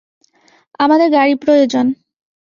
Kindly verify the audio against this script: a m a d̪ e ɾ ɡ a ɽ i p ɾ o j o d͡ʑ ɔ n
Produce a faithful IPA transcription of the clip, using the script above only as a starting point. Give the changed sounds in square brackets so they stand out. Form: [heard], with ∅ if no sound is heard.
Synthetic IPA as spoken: a m a d̪ e ɾ ɡ a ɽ i p ɾ o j o d͡ʑ [o] n